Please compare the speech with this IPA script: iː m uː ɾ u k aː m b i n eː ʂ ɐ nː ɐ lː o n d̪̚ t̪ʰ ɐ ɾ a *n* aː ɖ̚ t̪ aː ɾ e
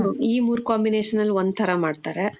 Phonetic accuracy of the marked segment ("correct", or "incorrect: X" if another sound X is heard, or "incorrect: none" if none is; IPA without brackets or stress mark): incorrect: m